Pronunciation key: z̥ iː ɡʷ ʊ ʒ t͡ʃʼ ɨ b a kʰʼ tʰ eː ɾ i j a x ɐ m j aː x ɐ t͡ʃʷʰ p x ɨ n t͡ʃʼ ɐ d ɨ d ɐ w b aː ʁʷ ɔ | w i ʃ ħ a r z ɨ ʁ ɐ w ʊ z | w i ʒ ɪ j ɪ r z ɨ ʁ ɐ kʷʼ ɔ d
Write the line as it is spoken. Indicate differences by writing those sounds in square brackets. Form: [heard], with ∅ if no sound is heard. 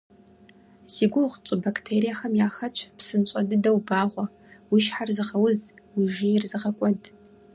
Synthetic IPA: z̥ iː ɡʷ ʊ [ʁ] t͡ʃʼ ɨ b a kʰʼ tʰ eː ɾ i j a x ɐ m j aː x ɐ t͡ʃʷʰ p [s] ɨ n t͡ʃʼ ɐ d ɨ d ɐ w b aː ʁʷ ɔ | w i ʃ ħ a r z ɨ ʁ ɐ w ʊ z | w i ʒ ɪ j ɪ r z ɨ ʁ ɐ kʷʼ ɔ d